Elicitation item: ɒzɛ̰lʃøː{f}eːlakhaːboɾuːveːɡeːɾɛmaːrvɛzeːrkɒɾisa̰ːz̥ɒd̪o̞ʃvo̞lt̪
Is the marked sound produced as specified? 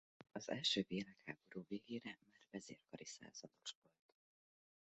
no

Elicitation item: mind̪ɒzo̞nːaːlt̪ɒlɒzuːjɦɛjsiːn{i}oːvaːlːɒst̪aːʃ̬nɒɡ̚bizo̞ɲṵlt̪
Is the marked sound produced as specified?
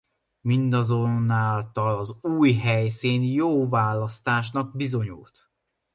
no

